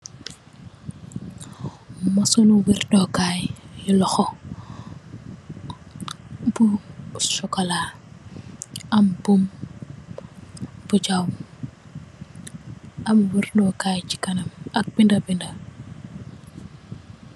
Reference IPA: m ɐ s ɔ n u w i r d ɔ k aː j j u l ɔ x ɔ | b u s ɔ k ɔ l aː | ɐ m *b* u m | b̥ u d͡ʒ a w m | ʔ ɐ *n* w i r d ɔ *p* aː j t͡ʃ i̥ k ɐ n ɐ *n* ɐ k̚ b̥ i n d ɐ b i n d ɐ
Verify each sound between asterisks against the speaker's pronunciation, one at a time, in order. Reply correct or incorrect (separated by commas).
correct, incorrect, incorrect, incorrect